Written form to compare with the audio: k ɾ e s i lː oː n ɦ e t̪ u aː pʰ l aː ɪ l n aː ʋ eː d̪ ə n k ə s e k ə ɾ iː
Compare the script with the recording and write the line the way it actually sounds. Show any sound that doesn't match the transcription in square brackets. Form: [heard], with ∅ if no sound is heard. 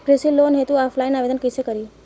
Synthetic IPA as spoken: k ɾ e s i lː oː n ɦ e t̪ u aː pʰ l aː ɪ [∅] n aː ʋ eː d̪ ə n k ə s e k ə ɾ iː